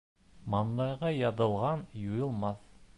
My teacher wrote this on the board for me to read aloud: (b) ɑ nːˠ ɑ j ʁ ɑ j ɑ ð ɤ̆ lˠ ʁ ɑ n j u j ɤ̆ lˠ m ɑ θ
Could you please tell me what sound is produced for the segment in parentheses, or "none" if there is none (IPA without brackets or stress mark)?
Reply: m